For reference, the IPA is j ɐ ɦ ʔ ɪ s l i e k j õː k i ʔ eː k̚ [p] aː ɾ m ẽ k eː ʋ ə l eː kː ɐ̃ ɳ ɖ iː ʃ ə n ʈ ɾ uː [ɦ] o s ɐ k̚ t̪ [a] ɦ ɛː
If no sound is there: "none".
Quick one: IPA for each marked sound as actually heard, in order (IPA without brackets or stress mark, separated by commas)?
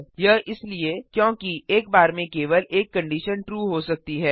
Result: b, ɦ, i